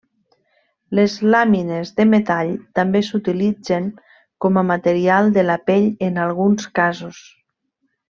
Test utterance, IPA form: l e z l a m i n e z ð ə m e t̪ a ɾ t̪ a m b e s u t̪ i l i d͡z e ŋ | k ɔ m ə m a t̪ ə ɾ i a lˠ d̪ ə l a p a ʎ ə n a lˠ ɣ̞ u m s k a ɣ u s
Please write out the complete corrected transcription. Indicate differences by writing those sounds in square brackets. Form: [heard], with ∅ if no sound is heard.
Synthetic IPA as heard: l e z l a m i n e z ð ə m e t̪ a [ʎ] t̪ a m b e s u t̪ i l i d͡z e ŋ | k ɔ m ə m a t̪ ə ɾ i a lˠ d̪ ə l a p [e] ʎ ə n a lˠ ɣ̞ u [n] s k a [z] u s